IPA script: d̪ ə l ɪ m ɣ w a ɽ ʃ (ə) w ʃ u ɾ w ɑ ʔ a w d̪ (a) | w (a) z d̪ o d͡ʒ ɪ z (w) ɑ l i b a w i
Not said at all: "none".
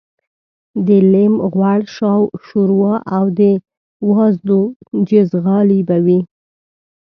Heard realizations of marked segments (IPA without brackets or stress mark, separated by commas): ɑ, ə, ɑ, ɣ